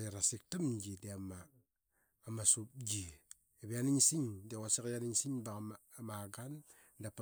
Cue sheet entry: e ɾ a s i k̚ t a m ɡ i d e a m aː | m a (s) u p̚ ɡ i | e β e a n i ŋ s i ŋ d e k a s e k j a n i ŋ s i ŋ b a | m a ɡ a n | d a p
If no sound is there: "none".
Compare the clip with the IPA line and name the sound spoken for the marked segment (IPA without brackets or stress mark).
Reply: s